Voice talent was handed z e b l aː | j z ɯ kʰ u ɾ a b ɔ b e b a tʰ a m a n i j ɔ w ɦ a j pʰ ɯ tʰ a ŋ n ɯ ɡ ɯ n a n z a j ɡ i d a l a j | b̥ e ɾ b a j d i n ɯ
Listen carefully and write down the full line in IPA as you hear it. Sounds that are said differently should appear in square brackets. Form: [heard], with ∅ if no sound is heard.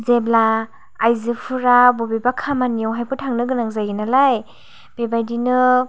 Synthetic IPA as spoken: z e b l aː | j z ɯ [pʰ] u ɾ a b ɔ b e b a [kʰ] a m a n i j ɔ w ɦ a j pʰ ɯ tʰ a ŋ n ɯ ɡ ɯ n a [ŋ] z a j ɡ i [n] a l a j | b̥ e [∅] b a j d i n ɯ